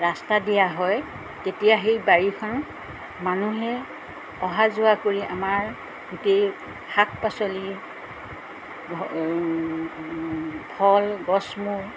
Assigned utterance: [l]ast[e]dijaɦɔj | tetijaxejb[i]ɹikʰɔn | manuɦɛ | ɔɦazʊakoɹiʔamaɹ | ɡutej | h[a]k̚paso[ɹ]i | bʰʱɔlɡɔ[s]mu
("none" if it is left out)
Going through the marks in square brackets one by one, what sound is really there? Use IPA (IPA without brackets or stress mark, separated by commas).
ɹ, a, a, a, l, s